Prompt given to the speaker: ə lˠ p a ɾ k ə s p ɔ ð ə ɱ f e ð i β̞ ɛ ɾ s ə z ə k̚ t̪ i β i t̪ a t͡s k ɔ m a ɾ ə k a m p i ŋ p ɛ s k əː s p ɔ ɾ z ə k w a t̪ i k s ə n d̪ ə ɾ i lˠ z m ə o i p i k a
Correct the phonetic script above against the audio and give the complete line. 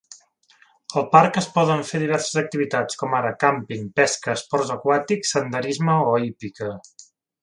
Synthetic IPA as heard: ə lˠ p a ɾ k ə s p ɔ ð ə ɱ f e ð i β̞ ɛ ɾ s ə z ə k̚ t̪ i β i t̪ a t͡s k ɔ m a ɾ ə k a m p i ŋ p ɛ s k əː s p ɔ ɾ z ə k w a t̪ i k s ə n d̪ ə ɾ i z m ə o i p i k ə